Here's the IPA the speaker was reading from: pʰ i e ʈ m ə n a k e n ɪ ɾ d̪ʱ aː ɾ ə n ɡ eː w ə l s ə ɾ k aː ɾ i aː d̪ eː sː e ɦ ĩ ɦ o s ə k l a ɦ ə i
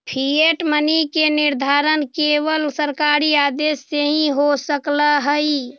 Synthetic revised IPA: pʰ i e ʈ m ə n i k e n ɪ ɾ d̪ʱ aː ɾ ə n k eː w ə l s ə ɾ k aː ɾ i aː d̪ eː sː e ɦ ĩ ɦ o s ə k l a ɦ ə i